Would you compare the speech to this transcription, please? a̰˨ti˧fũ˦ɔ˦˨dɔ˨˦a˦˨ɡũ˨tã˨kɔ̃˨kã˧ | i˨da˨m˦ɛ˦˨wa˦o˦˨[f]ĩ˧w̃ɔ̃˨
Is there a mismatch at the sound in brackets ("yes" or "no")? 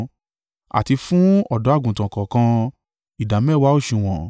yes